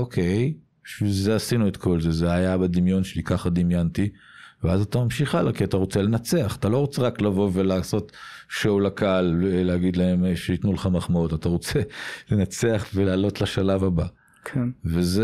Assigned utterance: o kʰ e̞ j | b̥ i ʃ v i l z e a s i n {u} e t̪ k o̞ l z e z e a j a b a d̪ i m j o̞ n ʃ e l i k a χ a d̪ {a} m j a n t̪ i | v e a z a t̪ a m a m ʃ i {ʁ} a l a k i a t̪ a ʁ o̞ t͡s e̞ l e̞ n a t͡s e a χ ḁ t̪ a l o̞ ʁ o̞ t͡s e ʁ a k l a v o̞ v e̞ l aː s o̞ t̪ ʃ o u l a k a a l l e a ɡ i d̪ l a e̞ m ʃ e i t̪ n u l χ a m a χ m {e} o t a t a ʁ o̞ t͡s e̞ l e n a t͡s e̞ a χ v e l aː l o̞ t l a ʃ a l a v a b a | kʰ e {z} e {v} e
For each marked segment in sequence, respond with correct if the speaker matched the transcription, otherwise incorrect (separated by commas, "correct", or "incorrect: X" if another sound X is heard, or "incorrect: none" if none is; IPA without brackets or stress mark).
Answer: correct, incorrect: i, incorrect: χ, incorrect: a, incorrect: v, incorrect: z